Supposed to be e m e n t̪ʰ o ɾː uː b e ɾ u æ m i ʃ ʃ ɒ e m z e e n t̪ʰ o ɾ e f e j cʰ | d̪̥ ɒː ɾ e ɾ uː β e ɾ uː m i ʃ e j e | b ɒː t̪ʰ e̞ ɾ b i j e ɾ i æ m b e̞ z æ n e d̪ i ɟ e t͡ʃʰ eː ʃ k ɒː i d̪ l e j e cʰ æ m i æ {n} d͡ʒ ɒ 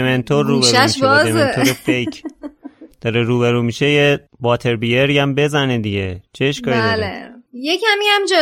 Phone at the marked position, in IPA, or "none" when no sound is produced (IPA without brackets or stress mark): m